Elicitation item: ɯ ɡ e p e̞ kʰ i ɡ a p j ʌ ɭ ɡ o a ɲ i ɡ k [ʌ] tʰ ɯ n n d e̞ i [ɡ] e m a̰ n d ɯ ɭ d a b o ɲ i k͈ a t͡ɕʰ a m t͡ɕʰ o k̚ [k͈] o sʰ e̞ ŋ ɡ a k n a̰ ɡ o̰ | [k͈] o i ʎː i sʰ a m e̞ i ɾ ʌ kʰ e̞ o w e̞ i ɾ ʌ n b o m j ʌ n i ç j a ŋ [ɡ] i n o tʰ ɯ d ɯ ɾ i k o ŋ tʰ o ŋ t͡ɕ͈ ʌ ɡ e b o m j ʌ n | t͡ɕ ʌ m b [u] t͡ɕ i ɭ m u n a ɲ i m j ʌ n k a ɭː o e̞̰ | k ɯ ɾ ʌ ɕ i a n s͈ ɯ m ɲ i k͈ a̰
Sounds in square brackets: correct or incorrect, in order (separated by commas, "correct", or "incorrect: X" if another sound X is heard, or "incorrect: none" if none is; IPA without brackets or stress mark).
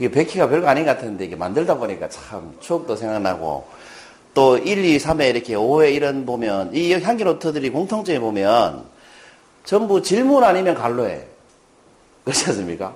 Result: incorrect: a, correct, incorrect: t͈, incorrect: t͈, correct, correct